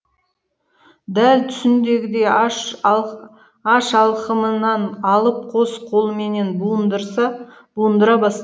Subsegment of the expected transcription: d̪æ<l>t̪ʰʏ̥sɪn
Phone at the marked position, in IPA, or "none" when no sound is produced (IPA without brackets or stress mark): l